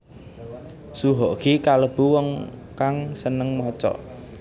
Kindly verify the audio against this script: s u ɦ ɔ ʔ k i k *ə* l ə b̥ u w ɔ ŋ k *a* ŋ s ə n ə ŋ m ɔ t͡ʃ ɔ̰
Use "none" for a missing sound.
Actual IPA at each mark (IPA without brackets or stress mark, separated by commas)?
a, a